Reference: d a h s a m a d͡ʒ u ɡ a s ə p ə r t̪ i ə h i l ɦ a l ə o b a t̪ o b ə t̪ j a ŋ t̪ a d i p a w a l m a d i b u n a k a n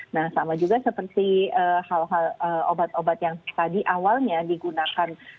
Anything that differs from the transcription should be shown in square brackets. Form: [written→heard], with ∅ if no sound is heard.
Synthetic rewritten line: [d→n] a h s a m a d͡ʒ u ɡ a s ə p ə r t̪ i ə h [i→a] l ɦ a l ə o b a t̪ o b [ə→a] t̪ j a ŋ t̪ a d i [p→ʔ] a w a l [m→ɲ] a d i [b→ɡ] u n a k a n